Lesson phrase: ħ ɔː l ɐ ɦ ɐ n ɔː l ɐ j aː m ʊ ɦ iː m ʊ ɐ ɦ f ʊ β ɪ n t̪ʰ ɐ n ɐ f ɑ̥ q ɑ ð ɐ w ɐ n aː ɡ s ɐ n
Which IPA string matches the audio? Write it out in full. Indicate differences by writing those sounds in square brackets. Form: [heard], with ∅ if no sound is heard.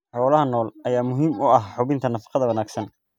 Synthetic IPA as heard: ħ ɔː l ɐ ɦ ɐ n ɔː l ɐ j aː m ʊ ɦ iː m ʊ ɐ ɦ [ħ] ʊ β ɪ n t̪ʰ ɐ n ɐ f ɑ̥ q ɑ ð ɐ w ɐ n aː ɡ s ɐ n